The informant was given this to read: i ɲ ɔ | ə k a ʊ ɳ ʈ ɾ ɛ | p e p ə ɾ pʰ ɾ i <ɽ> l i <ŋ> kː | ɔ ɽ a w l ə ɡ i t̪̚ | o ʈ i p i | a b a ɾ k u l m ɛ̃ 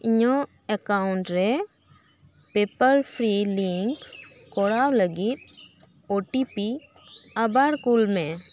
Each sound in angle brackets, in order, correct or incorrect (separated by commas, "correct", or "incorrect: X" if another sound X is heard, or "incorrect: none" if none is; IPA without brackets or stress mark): incorrect: none, correct